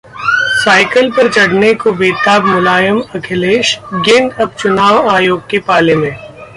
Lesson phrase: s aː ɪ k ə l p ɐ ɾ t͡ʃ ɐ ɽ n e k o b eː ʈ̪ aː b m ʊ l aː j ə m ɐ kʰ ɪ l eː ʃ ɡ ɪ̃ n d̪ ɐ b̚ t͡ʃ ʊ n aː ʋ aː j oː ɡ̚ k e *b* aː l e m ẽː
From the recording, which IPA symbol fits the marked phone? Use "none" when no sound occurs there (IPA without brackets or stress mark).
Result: p